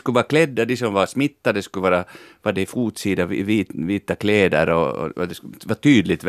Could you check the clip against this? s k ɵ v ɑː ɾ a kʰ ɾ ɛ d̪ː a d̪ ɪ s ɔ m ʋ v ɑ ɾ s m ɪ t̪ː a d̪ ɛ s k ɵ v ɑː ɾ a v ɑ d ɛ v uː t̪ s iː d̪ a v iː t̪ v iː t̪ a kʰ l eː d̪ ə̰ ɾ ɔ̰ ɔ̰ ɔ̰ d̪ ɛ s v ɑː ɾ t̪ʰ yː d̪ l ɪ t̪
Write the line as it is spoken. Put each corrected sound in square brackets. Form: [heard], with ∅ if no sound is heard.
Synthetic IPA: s k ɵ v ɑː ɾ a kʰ [l] ɛ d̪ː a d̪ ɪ s ɔ m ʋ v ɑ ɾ s m ɪ t̪ː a d̪ ɛ s k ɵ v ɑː ɾ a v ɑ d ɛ [f] uː t̪ s iː d̪ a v iː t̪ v iː t̪ a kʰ l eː d̪ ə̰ ɾ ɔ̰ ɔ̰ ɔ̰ d̪ ɛ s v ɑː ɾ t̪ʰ yː d̪ l ɪ t̪